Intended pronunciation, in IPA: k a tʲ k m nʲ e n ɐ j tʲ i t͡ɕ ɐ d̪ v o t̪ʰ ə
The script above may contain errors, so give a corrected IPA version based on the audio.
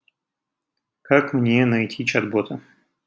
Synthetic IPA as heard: k a k m nʲ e n ɐ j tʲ i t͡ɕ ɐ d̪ b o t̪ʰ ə